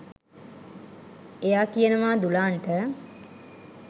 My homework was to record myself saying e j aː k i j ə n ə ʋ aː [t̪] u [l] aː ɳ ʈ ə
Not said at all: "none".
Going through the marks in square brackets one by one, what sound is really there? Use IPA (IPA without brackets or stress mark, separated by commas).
d̪, l